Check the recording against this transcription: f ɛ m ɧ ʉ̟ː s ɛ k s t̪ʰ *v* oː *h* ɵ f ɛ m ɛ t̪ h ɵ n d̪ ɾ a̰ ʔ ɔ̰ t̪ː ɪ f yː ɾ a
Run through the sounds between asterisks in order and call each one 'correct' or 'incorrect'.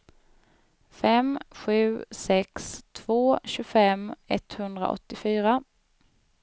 correct, incorrect

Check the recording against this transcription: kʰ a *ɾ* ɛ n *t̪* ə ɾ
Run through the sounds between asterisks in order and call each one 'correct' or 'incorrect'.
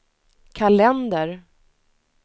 incorrect, incorrect

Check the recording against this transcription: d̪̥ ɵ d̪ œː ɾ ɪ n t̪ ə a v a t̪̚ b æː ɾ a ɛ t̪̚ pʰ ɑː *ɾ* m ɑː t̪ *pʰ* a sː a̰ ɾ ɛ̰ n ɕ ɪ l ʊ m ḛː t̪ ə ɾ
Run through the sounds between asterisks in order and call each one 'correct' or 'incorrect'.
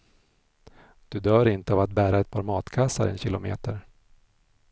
correct, incorrect

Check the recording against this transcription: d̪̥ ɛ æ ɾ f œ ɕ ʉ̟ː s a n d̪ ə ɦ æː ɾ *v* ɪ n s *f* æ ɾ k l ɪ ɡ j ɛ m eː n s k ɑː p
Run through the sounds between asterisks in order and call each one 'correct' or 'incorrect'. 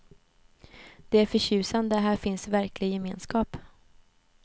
incorrect, incorrect

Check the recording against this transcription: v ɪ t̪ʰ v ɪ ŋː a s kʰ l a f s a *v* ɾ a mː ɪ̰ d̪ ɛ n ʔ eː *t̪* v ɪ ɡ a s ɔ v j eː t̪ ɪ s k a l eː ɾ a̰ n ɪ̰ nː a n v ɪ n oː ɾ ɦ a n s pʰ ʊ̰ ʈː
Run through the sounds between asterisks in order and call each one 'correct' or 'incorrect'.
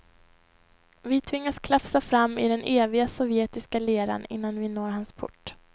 incorrect, incorrect

